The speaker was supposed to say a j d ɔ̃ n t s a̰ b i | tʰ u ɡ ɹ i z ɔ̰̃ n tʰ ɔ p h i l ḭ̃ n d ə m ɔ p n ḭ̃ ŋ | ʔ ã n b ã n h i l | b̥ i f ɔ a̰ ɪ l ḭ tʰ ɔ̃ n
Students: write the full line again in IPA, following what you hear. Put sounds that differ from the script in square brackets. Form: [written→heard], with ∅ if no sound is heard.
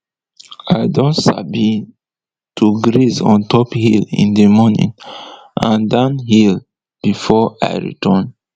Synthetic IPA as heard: a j d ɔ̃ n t s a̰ b i | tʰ u ɡ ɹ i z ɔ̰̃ n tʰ ɔ p h i l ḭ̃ n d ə m ɔ [p→∅] n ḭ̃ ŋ | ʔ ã n [b→d] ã n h i l | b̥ i f ɔ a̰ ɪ [l→ɹ] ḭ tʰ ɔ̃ n